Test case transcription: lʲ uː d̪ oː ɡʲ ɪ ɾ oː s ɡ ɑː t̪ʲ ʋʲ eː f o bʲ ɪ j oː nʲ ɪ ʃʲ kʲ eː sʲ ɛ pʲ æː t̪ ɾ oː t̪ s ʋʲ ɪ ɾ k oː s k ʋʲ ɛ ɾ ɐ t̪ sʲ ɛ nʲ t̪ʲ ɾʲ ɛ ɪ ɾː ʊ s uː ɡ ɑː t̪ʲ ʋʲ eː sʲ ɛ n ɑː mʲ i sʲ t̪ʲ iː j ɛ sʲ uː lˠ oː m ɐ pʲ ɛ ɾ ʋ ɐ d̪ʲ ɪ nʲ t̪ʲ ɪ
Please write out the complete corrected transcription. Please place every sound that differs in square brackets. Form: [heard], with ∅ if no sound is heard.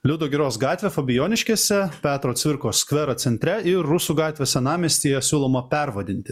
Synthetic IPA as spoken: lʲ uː d̪ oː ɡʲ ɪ ɾ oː s ɡ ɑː t̪ʲ ʋʲ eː f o bʲ ɪ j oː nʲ ɪ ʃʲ kʲ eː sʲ ɛ pʲ æː t̪ ɾ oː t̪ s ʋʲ ɪ ɾ k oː s k ʋʲ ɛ ɾ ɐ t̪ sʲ ɛ nʲ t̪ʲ ɾʲ ɛ ɪ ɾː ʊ s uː ɡ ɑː t̪ʲ ʋʲ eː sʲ ɛ n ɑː mʲ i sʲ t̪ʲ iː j ɛ sʲ uː lˠ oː m ɐ pʲ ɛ ɾ ʋ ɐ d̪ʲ ɪ nʲ t̪ʲ ɪ